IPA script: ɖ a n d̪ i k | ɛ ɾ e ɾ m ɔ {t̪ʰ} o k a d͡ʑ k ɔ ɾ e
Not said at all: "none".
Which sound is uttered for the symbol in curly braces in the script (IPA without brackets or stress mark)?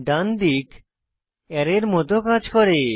t̪